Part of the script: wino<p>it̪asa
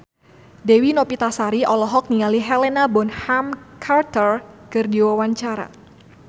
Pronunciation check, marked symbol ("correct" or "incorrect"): correct